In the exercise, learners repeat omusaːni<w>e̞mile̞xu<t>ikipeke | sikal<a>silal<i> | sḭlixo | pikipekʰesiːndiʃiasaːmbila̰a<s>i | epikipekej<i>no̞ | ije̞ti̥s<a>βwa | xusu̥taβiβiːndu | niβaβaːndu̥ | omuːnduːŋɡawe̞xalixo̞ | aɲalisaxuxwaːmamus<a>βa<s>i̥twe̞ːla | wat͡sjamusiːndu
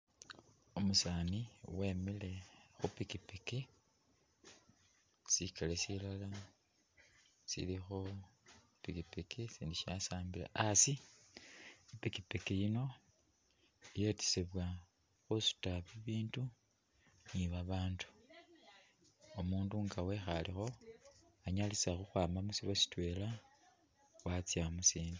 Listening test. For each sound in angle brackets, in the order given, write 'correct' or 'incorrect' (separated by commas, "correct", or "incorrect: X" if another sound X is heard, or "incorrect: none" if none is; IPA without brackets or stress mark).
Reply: correct, incorrect: p, incorrect: e, incorrect: a, correct, correct, incorrect: e, incorrect: i, correct